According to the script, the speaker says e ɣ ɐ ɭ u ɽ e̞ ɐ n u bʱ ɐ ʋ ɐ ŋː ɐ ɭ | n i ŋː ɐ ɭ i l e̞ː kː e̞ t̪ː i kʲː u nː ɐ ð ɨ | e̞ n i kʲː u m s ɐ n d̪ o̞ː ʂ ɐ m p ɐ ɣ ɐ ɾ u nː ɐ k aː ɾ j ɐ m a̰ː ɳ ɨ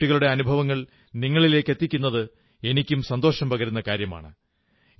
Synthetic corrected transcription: i ɣ ɐ ɭ u ɽ e̞ ɐ n u bʱ ɐ ʋ ɐ ŋː ɐ ɭ | n i ŋː ɐ ɭ i l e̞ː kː e̞ t̪ː i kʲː u nː ɐ ð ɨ | e̞ n i kʲː u m s ɐ n d̪ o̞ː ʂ ɐ m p ɐ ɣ ɐ ɾ u nː ɐ k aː ɾ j ɐ m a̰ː ɳ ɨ